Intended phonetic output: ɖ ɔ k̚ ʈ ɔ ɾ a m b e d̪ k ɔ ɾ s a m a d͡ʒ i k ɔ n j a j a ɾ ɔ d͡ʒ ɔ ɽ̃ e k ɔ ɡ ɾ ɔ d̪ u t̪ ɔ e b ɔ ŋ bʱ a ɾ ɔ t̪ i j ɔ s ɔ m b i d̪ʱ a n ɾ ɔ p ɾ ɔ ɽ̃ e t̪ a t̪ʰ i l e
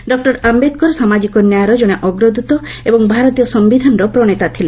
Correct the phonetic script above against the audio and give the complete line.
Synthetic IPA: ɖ ɔ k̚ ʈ ɔ ɾ a m b e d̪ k ɔ ɾ s a m a d͡ʒ i k ɔ n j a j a ɾ ɔ d͡ʒ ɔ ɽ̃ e ʔ ɔ ɡ ɾ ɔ d̪ u t̪ ɔ e b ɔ ŋ bʱ a ɾ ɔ t̪ i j ɔ s ɔ m b i d̪ʱ a n ɾ ɔ p ɾ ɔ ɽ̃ e t̪ a t̪ʰ i l e

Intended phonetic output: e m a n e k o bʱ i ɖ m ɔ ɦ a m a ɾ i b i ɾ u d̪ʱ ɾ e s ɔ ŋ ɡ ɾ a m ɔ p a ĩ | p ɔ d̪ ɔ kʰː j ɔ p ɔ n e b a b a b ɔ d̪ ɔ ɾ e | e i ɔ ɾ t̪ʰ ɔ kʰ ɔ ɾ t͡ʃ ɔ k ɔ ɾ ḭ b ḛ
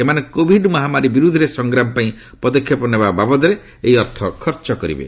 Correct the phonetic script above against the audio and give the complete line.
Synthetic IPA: e m a n e k o bʱ i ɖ m ɔ ɦ a m a ɾ i b i ɾ u d̪ʱ ɾ e s ɔ ŋ ɡ ɾ a m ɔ p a ĩ | p ɔ d̪ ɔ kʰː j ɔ p ɔ n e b a b a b ɔ d̪ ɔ ɾ e | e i ɔ ɾ t̪ʰ ɔ kʰ ɔ ɾ t͡ʃ ɔ k ɔ ɾ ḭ b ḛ

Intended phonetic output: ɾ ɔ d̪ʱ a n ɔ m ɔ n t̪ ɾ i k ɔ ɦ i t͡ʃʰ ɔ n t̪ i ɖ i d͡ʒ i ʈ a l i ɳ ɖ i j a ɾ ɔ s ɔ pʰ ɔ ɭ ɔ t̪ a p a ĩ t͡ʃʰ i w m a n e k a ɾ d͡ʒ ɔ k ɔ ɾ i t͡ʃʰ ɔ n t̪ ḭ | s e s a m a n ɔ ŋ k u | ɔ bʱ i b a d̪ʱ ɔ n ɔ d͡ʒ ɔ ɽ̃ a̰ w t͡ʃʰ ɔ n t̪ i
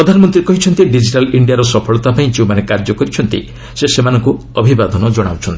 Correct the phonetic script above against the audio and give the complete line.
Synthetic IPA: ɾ ɔ d̪ʱ a n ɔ m ɔ n t̪ ɾ i k ɔ ɦ i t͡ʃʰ ɔ n t̪ i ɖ i d͡ʒ i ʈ a l i ɳ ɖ i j a ɾ ɔ s ɔ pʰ ɔ ɭ ɔ t̪ a p a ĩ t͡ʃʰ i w m a n e k a ɾ d͡ʒ ɔ k ɔ ɾ i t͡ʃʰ ɔ n t̪ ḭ | s e s e m a n ɔ ŋ k u | ɔ bʱ i b a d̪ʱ ɔ n ɔ d͡ʒ ɔ ɽ̃ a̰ w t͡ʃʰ ɔ n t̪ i

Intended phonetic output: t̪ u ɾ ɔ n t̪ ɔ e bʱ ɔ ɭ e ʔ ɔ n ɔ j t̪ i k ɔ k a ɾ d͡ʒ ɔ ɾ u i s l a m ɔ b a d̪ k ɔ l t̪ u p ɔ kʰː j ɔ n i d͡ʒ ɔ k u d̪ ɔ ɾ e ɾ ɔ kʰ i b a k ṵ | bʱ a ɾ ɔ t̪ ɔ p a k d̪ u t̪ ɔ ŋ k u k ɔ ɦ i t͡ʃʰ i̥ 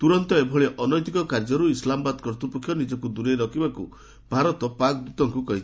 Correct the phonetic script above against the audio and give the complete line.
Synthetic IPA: t̪ u ɾ ɔ n t̪ ɔ e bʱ ɔ ɭ e ʔ ɔ n ɔ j t̪ i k ɔ k a ɾ d͡ʒ ɔ ɾ u i s l a m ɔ b a d̪ k ɔ ɾ t̪ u p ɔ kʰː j ɔ n i d͡ʒ ɔ k u d̪ u ɾ e ɾ ɔ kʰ i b a k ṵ | bʱ a ɾ ɔ t̪ ɔ p a k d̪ u t̪ ɔ ŋ k u k ɔ ɦ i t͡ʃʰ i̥

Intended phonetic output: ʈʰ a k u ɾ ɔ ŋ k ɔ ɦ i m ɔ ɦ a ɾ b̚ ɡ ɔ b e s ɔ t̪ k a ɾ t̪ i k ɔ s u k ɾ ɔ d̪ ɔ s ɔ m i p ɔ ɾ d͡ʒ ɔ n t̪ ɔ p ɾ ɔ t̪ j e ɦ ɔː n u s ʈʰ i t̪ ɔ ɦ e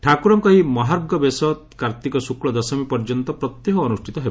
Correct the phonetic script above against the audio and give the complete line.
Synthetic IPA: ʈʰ a k u ɾ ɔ m k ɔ ɦ i m ɔ ɦ a ɾ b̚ ɡ ɔ b e s ɔ t̪ k a ɾ t̪ i k ɔ s u k ɭ ɔ d̪ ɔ s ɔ m i p ɔ ɾ d͡ʒ ɔ n t̪ ɔ p ɾ ɔ t̪ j e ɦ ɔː n u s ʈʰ i t̪ ɔ ɦ e

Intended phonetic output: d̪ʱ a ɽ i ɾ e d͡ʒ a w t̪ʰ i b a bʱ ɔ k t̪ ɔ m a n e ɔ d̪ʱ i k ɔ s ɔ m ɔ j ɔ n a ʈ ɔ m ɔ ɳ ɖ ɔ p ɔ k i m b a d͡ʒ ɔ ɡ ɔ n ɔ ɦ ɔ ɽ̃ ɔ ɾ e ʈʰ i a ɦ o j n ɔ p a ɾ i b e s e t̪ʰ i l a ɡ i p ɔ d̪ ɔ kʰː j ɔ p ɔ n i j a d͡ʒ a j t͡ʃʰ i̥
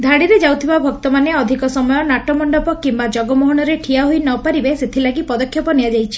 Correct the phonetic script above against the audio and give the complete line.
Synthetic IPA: d̪ʱ a ɽ i ɾ e d͡ʒ a w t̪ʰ i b a bʱ ɔ k t̪ ɔ m a n e ɔ d̪ʱ i k ɔ s ɔ m ɔ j ɔ n a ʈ ɔ m ɔ ɳ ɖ ɔ p ɔ k i m b a d͡ʒ ɔ ɡ ɔ m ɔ ɦ ɔ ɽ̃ ɔ ɾ e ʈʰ i a ɦ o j n ɔ p a ɾ i b e s e t̪ʰ i l a ɡ i p ɔ d̪ ɔ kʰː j ɔ p ɔ n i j a d͡ʒ a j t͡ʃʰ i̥

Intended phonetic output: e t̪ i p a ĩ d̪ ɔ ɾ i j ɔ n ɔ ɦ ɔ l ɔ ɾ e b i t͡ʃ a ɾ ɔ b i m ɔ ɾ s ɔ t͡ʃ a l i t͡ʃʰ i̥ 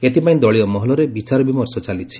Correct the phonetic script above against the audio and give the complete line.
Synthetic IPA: e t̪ i p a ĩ d̪ ɔ ɭ i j ɔ m ɔ ɦ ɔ l ɔ ɾ e b i t͡ʃ a ɾ ɔ b i m ɔ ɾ s ɔ t͡ʃ a l i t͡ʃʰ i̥

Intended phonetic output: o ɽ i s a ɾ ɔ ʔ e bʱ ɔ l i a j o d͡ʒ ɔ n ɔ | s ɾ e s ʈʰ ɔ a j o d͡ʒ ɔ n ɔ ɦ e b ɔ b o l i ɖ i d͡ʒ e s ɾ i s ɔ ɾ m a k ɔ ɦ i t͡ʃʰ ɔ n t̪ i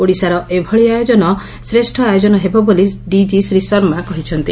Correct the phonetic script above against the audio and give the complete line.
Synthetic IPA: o ɽ i s a ɾ ɔ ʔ e bʱ ɔ ɭ i a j o d͡ʒ ɔ n ɔ | s ɾ e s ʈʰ ɔ a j o d͡ʒ ɔ n ɔ ɦ e b ɔ b o l i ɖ i d͡ʒ i s ɾ i s ɔ ɾ m a k ɔ ɦ i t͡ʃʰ ɔ n t̪ i

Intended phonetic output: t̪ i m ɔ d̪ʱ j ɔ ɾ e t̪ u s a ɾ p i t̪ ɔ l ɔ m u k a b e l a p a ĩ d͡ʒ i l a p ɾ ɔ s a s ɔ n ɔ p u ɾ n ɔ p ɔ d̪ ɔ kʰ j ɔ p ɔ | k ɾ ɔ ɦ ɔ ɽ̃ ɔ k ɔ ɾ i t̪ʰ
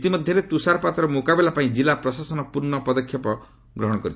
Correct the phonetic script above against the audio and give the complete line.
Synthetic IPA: t̪ i m ɔ d̪ʱ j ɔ ɾ e t̪ u s a ɾ p a t̪ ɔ ɾ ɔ m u k a b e l a p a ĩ d͡ʒ i l a p ɾ ɔ s a s ɔ n ɔ p u ɾ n ɔ p ɔ d̪ ɔ kʰ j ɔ p ɔ | ɡ ɾ ɔ ɦ ɔ ɽ̃ ɔ k ɔ ɾ i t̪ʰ

